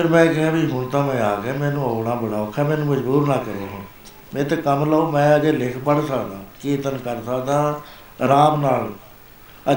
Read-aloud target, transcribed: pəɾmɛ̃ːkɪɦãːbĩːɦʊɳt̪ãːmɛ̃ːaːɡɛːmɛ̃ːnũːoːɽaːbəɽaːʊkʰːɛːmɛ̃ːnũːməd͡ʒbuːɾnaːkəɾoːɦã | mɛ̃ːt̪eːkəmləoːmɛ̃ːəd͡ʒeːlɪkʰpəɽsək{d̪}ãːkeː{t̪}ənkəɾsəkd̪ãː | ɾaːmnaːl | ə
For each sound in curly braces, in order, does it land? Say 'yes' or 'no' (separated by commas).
yes, yes